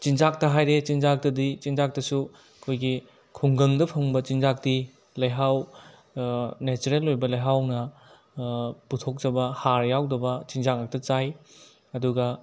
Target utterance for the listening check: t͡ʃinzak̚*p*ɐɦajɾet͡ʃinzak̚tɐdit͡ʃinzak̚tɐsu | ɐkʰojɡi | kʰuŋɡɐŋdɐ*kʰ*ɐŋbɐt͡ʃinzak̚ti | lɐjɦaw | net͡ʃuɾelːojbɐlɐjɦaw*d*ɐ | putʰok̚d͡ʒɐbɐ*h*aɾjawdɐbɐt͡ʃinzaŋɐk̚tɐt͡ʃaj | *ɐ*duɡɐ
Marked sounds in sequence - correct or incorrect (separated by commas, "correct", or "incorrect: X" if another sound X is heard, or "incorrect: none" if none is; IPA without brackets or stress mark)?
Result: incorrect: t, incorrect: pʰ, incorrect: n, correct, correct